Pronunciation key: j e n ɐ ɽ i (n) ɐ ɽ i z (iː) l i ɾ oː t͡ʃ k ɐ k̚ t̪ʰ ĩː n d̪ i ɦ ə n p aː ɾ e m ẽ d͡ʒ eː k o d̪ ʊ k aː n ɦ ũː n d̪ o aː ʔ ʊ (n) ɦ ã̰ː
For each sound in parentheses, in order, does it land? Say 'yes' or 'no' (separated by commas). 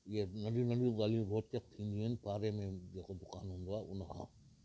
yes, no, yes